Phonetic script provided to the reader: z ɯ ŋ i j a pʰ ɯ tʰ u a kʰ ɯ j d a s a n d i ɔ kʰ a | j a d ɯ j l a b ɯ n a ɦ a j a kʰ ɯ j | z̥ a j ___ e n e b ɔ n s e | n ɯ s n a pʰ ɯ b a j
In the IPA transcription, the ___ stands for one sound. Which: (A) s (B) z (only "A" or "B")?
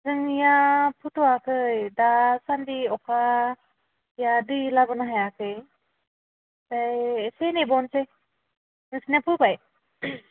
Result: A